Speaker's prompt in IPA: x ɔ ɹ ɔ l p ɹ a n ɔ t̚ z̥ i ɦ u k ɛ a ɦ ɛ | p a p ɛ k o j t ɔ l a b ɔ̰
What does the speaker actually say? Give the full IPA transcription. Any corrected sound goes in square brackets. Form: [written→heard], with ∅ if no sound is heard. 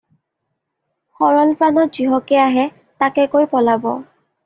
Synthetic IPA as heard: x ɔ ɹ ɔ l p ɹ a n ɔ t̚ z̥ i ɦ [u→ɔ] k ɛ a ɦ ɛ | [p→t] a [p→k] ɛ k o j [t→p] ɔ l a b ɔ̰

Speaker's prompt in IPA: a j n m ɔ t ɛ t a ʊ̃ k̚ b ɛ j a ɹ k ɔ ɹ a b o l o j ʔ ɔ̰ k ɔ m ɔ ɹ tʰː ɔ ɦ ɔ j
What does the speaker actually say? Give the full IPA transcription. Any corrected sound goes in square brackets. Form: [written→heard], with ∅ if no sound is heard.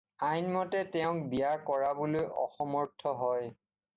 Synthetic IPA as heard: a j n m ɔ t ɛ t [a→ɛ] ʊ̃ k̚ b [ɛ→i] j a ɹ k ɔ ɹ a b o l o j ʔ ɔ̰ [k→x] ɔ m ɔ ɹ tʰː ɔ ɦ ɔ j

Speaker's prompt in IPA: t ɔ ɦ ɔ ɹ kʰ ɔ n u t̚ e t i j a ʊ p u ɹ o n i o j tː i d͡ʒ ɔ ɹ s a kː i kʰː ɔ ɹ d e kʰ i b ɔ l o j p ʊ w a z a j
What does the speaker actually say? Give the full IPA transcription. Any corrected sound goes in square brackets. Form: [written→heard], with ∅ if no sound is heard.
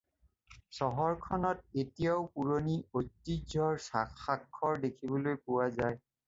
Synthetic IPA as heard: [t→s] ɔ ɦ ɔ ɹ kʰ ɔ n [u→ɔ] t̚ e t i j a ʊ p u ɹ o n i o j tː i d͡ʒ ɔ ɹ s a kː [i→a] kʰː ɔ ɹ d e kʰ i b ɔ l o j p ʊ w a z a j

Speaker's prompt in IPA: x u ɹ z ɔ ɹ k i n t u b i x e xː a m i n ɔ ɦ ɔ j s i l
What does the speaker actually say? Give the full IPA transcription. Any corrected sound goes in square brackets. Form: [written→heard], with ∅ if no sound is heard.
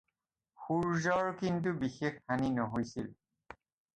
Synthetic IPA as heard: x u ɹ z ɔ ɹ k i n t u b i x e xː a [m→n] i n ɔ ɦ [ɔ→o] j s i l

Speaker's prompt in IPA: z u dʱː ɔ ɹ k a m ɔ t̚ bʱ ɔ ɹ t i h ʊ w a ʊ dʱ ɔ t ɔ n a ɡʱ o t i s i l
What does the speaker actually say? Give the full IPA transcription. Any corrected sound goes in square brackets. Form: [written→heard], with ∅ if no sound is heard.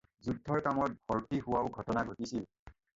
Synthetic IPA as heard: z u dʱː ɔ ɹ k a m ɔ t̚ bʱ ɔ ɹ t i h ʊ w a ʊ [dʱ→ɡʱ] ɔ t ɔ n a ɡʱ o t i s i l

